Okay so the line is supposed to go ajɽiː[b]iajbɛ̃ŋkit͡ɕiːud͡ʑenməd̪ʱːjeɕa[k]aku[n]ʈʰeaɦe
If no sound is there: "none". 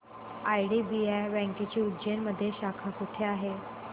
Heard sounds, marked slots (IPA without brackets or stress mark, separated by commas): b, kʰ, none